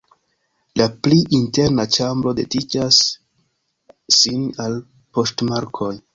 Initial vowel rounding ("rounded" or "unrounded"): unrounded